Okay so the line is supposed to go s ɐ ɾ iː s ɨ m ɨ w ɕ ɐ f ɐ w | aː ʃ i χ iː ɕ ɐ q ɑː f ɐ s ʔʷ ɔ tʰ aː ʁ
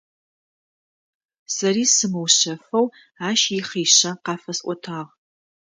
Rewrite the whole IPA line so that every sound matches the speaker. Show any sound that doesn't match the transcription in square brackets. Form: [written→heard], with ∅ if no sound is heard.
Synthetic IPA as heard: s ɐ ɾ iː s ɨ m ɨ w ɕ ɐ f ɐ w | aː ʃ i χ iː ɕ ɐ q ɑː f ɐ s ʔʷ ɔ tʰ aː ʁ